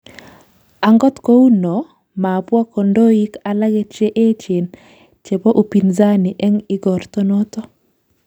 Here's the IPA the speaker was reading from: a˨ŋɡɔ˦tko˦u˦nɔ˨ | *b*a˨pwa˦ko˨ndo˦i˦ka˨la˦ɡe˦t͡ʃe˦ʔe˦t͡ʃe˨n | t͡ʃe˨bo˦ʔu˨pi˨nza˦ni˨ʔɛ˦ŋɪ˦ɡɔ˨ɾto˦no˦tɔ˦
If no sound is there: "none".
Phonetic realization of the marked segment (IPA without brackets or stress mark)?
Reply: m